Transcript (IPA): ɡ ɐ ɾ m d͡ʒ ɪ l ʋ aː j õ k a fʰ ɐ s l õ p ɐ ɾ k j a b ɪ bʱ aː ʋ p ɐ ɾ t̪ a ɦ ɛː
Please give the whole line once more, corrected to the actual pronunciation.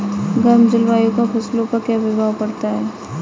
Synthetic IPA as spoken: ɡ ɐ ɾ m d͡ʒ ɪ l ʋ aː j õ k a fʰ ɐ s l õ p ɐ ɾ k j a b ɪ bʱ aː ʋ p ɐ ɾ t̪ a ɦ ɛː